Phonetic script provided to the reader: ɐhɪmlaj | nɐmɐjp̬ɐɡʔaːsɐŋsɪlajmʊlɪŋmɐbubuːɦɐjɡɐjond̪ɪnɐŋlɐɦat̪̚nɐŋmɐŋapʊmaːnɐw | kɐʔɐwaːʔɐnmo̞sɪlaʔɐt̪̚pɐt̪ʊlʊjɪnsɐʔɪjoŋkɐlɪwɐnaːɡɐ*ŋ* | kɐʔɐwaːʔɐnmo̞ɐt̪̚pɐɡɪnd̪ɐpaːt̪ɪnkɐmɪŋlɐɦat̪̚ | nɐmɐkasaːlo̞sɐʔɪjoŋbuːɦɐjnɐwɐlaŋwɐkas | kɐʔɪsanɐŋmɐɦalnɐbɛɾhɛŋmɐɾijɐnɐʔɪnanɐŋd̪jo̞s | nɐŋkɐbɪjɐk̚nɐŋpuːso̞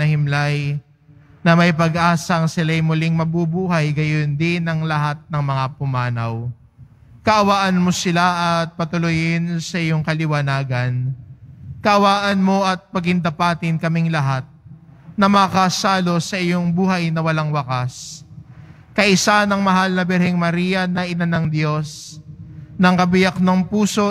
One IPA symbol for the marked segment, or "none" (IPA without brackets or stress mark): n